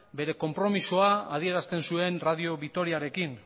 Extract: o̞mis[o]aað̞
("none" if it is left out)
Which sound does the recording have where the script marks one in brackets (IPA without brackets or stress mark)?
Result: o